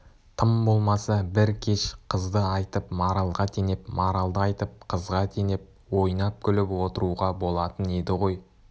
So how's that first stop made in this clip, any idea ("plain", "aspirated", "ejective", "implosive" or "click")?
aspirated